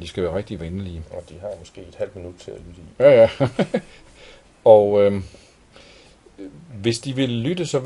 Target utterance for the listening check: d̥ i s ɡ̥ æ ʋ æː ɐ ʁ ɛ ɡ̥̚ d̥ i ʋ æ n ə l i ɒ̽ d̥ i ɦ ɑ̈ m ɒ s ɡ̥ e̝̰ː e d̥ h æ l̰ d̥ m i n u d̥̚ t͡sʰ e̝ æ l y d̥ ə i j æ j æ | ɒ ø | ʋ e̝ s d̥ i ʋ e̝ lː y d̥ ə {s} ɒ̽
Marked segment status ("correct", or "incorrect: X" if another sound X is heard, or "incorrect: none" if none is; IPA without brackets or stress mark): correct